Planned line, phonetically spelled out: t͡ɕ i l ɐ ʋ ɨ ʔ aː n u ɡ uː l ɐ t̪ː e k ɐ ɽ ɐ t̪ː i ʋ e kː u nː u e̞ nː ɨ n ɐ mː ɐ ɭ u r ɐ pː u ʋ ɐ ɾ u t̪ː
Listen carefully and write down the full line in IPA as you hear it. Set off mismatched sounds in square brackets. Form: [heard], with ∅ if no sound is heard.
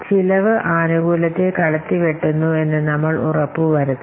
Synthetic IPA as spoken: t͡ɕ i l ɐ ʋ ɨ ʔ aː n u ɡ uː l ɐ t̪ː e k ɐ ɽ ɐ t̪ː i ʋ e [ʈː] u nː u e̞ nː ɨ n ɐ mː ɐ ɭ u r ɐ pː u ʋ ɐ ɾ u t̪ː